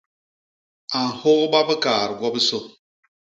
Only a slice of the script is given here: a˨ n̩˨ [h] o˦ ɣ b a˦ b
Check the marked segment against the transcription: correct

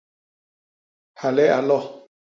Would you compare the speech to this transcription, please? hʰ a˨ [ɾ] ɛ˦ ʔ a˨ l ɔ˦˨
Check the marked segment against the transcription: incorrect: l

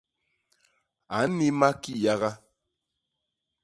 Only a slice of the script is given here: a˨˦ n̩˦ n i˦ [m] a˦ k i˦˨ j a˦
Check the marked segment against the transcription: correct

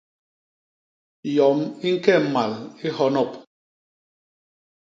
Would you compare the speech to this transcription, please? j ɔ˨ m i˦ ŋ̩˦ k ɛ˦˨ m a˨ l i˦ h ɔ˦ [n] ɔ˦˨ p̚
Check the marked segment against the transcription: correct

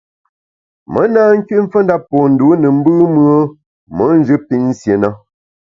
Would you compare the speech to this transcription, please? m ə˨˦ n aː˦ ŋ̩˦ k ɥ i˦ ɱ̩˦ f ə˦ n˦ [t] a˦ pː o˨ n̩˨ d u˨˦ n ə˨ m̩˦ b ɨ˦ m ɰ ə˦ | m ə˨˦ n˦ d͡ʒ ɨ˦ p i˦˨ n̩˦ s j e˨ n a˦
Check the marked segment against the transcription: incorrect: d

